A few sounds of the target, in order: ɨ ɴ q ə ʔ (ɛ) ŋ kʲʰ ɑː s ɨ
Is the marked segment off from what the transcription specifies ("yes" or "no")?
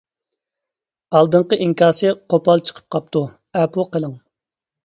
yes